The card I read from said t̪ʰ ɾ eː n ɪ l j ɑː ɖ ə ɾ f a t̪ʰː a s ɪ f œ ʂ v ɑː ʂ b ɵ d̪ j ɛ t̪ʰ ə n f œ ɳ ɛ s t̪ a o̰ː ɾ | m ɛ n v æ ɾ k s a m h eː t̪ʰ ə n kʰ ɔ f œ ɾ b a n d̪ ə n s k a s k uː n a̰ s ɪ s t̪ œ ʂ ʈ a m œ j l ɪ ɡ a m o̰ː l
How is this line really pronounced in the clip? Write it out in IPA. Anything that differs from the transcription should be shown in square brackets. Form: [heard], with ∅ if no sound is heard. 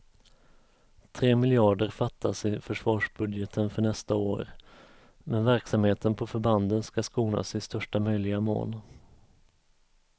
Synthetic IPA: t̪ʰ ɾ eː [m] ɪ l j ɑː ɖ ə ɾ f a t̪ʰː a s ɪ f œ ʂ v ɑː ʂ b ɵ d̪ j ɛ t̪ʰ ə n f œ ɳ ɛ s t̪ a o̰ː ɾ | m ɛ n v æ ɾ k s a m h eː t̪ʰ ə n [pʰ] ɔ f œ ɾ b a n d̪ ə n s k a s k uː n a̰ s ɪ s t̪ œ ʂ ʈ a m œ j l ɪ ɡ a m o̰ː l